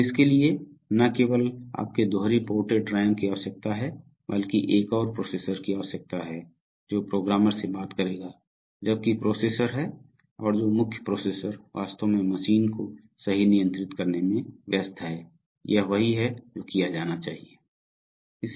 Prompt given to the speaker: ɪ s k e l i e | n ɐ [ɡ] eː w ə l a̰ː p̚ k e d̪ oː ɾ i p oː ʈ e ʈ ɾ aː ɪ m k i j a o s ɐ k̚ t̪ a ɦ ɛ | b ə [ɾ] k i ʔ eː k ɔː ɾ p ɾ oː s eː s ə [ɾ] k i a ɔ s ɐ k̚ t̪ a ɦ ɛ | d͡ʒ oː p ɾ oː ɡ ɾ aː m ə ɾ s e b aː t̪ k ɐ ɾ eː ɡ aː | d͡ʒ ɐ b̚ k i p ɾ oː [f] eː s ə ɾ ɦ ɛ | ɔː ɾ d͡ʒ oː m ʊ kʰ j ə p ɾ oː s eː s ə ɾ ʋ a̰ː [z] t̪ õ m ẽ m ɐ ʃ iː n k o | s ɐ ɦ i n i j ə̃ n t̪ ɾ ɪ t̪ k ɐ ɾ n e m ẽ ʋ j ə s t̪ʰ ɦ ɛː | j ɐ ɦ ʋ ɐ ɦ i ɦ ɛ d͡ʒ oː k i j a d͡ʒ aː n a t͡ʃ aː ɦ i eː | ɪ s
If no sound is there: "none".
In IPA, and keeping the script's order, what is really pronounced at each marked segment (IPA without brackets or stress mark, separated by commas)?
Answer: k, l, ɾ, s, s